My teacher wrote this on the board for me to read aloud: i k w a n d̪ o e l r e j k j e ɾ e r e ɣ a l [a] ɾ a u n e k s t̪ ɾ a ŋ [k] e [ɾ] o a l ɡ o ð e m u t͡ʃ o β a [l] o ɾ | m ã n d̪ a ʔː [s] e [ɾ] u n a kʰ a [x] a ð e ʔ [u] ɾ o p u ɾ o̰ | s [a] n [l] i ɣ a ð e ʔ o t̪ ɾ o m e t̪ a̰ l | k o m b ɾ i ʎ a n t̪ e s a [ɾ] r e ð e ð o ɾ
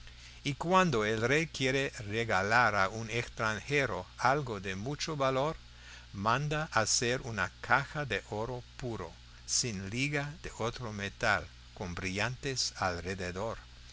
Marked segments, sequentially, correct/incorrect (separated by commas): correct, incorrect, correct, correct, correct, correct, correct, incorrect, incorrect, correct, incorrect